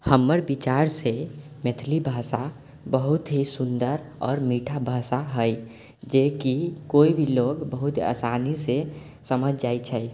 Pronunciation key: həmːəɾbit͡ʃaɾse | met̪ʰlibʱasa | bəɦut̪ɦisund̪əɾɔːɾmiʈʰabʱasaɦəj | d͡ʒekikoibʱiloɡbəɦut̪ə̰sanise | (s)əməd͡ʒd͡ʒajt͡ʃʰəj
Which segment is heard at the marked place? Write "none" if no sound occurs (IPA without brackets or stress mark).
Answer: s